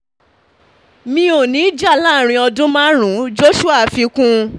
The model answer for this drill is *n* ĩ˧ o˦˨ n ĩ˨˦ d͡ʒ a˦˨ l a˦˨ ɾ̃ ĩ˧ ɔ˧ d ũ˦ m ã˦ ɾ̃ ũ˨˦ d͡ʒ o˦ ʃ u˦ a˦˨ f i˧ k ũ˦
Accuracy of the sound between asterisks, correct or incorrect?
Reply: incorrect